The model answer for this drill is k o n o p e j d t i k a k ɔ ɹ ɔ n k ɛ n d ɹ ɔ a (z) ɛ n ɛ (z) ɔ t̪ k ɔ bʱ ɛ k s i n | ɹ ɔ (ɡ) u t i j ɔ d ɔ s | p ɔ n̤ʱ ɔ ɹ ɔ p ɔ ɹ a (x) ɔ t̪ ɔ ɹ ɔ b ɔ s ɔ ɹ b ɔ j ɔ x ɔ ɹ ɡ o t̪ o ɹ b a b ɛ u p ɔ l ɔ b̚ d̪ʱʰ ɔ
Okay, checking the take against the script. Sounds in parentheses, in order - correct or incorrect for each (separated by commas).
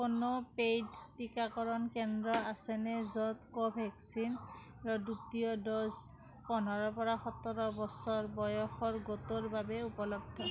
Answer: incorrect, correct, incorrect, correct